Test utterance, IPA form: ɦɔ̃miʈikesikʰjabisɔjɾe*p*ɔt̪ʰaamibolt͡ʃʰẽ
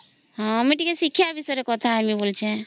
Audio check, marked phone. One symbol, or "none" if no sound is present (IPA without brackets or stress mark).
k